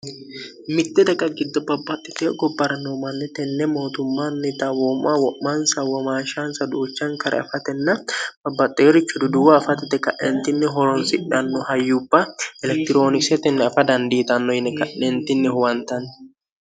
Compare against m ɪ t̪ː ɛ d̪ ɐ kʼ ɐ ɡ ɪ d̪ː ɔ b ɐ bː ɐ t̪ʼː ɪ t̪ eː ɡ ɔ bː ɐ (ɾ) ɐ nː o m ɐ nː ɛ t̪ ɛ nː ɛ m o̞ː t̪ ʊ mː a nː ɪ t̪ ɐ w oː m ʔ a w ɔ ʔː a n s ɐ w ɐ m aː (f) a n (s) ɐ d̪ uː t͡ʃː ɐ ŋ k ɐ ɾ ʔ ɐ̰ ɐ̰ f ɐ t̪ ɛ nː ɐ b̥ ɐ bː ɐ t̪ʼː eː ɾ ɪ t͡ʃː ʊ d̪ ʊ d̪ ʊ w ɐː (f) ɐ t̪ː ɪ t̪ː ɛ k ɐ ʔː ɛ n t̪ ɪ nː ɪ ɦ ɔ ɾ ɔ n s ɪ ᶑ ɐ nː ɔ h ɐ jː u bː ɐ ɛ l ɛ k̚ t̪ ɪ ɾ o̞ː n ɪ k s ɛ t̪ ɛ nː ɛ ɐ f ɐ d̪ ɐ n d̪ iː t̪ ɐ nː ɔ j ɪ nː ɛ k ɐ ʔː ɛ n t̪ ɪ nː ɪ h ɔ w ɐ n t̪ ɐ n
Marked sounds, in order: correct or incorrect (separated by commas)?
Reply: correct, incorrect, correct, correct